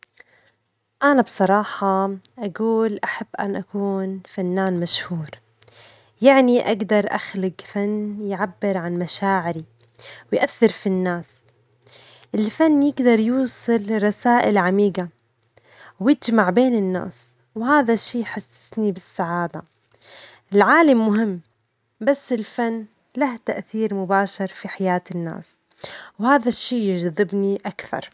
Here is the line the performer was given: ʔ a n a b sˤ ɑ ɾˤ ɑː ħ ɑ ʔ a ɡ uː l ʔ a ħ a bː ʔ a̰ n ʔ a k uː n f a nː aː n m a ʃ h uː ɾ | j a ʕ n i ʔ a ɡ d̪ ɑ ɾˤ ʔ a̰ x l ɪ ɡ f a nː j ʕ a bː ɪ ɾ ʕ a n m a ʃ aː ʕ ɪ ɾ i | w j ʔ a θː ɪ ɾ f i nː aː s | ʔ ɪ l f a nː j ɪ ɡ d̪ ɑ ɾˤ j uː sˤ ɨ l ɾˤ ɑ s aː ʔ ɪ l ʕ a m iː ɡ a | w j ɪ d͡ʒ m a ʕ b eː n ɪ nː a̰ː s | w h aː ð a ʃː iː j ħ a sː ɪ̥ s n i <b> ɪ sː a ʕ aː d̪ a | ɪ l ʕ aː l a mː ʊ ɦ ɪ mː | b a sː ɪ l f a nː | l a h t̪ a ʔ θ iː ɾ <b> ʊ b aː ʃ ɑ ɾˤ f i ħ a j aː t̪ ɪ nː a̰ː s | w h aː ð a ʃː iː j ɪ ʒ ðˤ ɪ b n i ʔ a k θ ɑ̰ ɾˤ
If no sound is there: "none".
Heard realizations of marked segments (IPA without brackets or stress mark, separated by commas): b, m